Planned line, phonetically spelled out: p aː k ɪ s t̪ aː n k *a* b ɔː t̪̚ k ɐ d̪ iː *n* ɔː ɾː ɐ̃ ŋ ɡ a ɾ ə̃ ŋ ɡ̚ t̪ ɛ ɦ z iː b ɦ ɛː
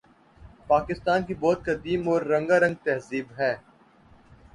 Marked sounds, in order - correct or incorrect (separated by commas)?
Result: incorrect, incorrect